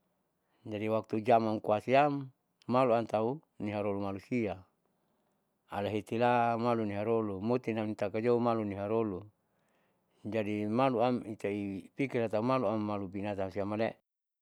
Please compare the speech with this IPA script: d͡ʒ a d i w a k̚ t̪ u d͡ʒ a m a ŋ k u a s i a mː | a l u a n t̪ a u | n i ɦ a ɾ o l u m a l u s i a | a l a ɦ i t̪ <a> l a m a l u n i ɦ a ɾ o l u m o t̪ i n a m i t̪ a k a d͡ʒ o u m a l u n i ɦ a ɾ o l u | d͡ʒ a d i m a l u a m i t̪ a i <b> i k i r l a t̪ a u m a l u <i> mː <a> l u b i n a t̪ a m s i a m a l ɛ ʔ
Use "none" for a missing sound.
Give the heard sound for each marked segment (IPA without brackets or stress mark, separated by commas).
i, p, a, a